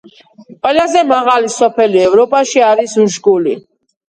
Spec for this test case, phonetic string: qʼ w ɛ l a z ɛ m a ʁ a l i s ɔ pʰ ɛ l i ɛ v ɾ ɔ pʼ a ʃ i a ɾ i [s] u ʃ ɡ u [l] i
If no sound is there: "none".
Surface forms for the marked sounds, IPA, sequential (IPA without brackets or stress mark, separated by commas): s, l